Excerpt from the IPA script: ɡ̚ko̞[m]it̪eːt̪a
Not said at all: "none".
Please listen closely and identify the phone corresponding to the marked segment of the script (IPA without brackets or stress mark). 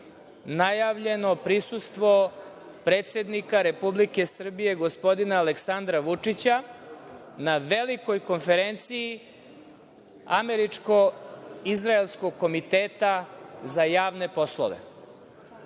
m